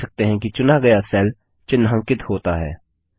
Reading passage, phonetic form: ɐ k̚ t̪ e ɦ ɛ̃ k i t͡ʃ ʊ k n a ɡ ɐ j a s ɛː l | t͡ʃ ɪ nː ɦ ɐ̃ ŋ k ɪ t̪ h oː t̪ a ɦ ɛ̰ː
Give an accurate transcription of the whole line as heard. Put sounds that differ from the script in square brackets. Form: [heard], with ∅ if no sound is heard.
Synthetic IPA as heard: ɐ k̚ t̪ e ɦ ɛ̃ k i t͡ʃ ʊ [∅] n a ɡ ɐ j a s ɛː l | t͡ʃ ɪ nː ɦ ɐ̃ ŋ k ɪ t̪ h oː t̪ a ɦ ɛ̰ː